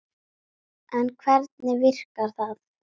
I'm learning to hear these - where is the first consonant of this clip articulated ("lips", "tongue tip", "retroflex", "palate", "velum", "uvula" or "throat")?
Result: tongue tip